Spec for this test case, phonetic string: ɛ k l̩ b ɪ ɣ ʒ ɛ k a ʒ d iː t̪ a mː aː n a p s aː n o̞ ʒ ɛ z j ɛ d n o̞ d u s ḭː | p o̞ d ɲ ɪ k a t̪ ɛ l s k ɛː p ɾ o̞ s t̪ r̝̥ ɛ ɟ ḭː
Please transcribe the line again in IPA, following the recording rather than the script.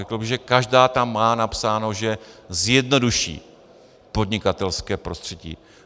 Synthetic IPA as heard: ɛ k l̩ b ɪ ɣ ʒ ɛ k a ʒ d aː t̪ a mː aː n a p s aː n o̞ ʒ ɛ z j ɛ d n o̞ d u ʃ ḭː | p o̞ d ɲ ɪ k a t̪ ɛ l s k ɛː p ɾ o̞ s t̪ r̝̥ ɛ ɟ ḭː

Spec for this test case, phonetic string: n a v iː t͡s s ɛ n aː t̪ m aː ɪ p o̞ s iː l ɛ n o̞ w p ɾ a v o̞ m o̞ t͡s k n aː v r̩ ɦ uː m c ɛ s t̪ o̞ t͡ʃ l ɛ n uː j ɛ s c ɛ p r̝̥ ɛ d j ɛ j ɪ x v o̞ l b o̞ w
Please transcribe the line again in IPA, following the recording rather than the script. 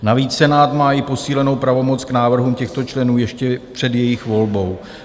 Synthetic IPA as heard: n a v iː t͡s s ɛ n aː t̪ m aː ɪ p o̞ s iː l ɛ n o̞ w p ɾ a v o̞ m o̞ t͡s k n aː v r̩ ɦ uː m c ɛ x t̪ o̞ t͡ʃ l ɛ n uː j ɛ ʃ c ɛ p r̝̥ ɛ d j ɛ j ɪ x v o̞ l b o̞ w

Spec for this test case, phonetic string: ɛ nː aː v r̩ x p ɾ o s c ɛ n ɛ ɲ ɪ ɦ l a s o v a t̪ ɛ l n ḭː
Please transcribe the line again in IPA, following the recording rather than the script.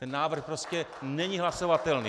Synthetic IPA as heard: ɛ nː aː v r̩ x p ɾ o s c ɛ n ɛ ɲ i ɦ l a s o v a t̪ ɛ l n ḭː

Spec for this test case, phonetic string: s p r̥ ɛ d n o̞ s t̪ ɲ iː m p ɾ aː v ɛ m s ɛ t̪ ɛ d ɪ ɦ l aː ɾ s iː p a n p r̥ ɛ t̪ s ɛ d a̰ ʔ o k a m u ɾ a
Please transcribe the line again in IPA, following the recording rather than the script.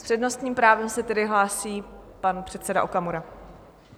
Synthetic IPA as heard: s p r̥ ɛ d n o̞ s t̪ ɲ iː m p ɾ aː v ɛ m s ɛ t̪ ɛ d ɪ ɦ l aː s iː p a n p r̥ ɛ t̪ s ɛ d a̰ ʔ o k a m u ɾ a

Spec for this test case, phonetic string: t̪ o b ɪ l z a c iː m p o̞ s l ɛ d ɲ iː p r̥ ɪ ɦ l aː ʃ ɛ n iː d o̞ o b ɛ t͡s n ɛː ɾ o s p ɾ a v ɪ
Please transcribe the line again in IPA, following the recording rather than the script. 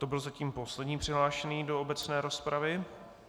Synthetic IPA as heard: t̪ o b ɪ l z a c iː m p o̞ s l ɛ d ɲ iː p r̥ ɪ ɦ l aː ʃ ɛ n iː d o̞ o b ɛ t͡s n ɛː ɾ o s p ɾ a v ɪ

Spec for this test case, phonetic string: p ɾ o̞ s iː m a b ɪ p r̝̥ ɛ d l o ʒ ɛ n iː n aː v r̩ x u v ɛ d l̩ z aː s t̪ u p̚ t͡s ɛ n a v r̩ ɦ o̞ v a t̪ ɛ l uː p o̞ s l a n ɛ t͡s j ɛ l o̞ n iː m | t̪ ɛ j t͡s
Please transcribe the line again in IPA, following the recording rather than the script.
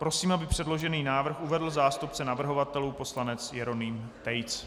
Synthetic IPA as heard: p ɾ o̞ s iː m a b ɪ p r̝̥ ɛ d l o ʒ ɛ n iː n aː v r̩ x u v ɛ d l̩ z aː s t̪ u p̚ t͡s ɛ n a v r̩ ɦ o̞ v a t̪ ɛ l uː p o̞ s l a n ɛ t͡s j ɛ ɾ o̞ n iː m | t̪ ɛ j t͡s

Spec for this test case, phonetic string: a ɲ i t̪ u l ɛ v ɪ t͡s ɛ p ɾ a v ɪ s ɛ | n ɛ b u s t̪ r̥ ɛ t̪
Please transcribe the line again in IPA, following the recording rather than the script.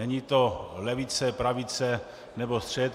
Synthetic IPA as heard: ɛ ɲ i t̪ o l ɛ v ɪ t͡s ɛ p ɾ a v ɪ t͡s ɛ | n ɛ b o s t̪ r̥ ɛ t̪

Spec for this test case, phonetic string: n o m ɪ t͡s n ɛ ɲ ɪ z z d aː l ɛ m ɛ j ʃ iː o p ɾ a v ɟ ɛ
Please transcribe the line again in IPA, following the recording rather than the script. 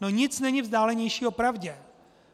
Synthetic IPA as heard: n o ɲ ɪ t͡s n ɛ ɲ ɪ v z d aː l ɛ ɲ ɛ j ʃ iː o p ɾ a v ɟ ɛ

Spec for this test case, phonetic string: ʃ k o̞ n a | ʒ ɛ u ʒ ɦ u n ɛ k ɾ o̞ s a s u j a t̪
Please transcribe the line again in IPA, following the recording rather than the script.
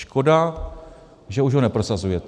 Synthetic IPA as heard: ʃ k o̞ d a | ʒ ɛ u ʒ ɦ o n ɛ p ɾ o̞ s a z u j ɛ t̪

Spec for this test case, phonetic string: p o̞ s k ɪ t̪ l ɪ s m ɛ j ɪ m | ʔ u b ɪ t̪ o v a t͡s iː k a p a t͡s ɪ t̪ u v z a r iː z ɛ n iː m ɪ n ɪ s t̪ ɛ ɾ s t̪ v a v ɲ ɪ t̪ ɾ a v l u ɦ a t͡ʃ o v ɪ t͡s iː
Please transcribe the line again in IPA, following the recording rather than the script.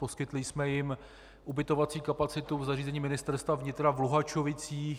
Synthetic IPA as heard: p o̞ s k ɪ t̪ l ɪ s m ɛ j ɪ m | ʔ u b ɪ t̪ o v a t͡s iː k a p a t͡s ɪ t̪ u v z a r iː z ɛ ɲ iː m ɪ n ɪ s t̪ ɛ ɾ s t̪ v a v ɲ ɪ t̪ ɾ a v l u ɦ a t͡ʃ o v ɪ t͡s iː

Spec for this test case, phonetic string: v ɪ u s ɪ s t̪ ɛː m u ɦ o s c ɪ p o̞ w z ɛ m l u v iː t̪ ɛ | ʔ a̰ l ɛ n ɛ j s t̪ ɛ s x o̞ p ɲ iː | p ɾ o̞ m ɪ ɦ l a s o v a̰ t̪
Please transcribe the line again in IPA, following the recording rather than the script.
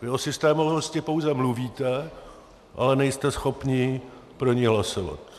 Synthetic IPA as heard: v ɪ o s ɪ s t̪ ɛː m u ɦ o s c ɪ p o̞ w z ɛ m l u v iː t̪ ɛ | ʔ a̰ l ɛ n ɛ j s t̪ ɛ s x o̞ p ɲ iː | p ɾ o̞ ɲ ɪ ɦ l a s o v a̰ t̪

